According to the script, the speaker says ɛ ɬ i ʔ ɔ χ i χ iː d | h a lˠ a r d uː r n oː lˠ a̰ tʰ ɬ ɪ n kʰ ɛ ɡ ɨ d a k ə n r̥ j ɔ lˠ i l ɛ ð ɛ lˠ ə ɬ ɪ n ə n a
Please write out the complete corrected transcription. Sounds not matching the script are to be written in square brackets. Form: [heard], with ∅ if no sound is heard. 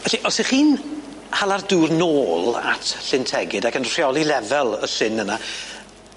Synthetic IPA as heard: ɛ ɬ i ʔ ɔ [s] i χ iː [n] | h a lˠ a r d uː r n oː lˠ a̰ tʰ ɬ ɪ n [tʰ] ɛ ɡ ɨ d a k ə n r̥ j ɔ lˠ i l ɛ [v] ɛ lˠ ə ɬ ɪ n ə n a

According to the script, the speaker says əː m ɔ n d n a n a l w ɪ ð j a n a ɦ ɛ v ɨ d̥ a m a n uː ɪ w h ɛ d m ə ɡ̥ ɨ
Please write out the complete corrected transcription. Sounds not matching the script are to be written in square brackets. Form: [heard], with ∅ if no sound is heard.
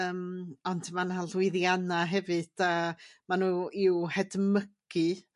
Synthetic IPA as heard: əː m ɔ n d [m] a n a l w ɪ ð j a n a ɦ ɛ v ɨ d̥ a m a n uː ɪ w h ɛ d m ə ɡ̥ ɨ

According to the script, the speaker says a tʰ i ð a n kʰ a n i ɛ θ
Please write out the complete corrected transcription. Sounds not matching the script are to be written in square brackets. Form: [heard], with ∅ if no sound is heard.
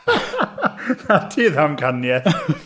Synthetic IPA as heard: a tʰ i ð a [m] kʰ a n [j] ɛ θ

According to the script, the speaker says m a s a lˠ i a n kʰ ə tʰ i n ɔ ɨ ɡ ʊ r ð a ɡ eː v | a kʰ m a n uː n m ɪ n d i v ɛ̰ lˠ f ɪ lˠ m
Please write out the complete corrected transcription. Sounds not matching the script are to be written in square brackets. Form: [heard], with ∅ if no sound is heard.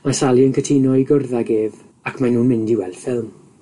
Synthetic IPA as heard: m a s a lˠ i [ə] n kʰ ə tʰ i n ɔ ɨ ɡ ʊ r ð a ɡ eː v | a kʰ m a n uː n m ɪ n d i [w] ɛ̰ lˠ f ɪ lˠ m

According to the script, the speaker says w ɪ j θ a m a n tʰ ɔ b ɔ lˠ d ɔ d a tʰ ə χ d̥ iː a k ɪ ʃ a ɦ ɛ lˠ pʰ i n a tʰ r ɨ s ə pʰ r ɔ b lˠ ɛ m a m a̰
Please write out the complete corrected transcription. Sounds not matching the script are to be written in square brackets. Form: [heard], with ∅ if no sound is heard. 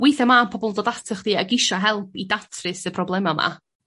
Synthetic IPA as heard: w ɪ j θ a m a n [pʰ] ɔ b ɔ lˠ d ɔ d a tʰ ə χ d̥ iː a [ɡ] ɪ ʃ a ɦ ɛ lˠ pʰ i [d] a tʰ r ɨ s ə pʰ r ɔ b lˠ ɛ m a m a̰

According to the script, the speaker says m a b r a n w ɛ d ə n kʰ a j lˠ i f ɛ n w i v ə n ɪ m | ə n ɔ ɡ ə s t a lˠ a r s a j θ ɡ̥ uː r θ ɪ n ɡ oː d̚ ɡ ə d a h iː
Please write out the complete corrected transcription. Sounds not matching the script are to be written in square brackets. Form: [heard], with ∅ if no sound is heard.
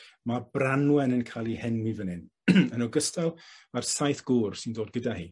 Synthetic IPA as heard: m a b r a n w ɛ [n] ə n kʰ a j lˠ i [h] ɛ n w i v ə n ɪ [n] | ə n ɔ ɡ ə s t a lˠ a r s a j θ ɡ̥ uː r [s] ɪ n [d] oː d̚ ɡ ə d a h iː

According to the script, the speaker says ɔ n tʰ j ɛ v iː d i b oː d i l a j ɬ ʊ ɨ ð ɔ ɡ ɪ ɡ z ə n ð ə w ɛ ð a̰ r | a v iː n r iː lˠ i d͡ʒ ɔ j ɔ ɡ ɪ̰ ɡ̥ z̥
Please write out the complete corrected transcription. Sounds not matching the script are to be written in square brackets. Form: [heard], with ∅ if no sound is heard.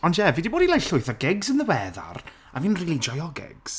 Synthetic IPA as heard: ɔ n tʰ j ɛ v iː d i b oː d i l a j ɬ ʊ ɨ [θ] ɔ ɡ ɪ ɡ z ə n ð ə w ɛ ð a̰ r | a v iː n r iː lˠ i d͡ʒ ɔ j ɔ ɡ ɪ̰ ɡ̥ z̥

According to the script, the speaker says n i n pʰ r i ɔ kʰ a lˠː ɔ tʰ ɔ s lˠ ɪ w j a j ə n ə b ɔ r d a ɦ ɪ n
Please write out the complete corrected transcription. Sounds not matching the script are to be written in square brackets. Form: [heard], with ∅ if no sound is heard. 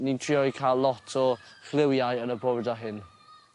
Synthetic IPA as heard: n i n [tʰ] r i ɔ kʰ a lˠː ɔ tʰ ɔ [χ] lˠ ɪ w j a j ə n ə b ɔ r d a ɦ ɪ n

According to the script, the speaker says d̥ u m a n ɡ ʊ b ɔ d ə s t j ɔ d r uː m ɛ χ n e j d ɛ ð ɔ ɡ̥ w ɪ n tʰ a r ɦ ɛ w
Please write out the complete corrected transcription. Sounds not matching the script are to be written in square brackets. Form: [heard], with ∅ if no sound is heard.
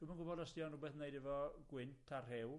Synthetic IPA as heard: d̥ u m a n ɡ ʊ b ɔ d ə s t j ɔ [n] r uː [b] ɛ [θ] n e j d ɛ [v] ɔ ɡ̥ w ɪ n tʰ a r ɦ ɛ w

